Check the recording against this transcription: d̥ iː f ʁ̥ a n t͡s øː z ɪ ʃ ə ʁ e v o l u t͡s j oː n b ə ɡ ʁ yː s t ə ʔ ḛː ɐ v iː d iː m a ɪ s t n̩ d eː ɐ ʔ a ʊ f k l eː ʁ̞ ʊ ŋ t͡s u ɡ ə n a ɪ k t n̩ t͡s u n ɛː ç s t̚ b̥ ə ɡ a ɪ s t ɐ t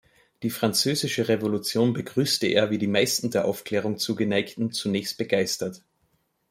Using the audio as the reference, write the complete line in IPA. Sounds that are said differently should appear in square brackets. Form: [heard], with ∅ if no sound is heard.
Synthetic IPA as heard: d̥ iː f ʁ̥ a n t͡s øː z ɪ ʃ ə ʁ e v o l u t͡s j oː n b ə ɡ ʁ yː s t ə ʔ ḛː ɐ v iː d iː m a ɪ s t n̩ d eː ɐ ʔ a ʊ f k l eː ʁ̞ ʊ ŋ t͡s [uː] ɡ ə n a ɪ k t n̩ t͡s u n ɛː ç s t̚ b̥ ə ɡ a ɪ s t ɐ t